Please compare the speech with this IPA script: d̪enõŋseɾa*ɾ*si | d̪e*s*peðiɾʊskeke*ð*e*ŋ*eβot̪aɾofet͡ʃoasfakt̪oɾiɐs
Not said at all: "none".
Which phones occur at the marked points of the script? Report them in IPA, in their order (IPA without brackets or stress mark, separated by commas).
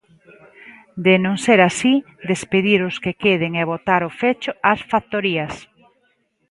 none, s, ð, ŋ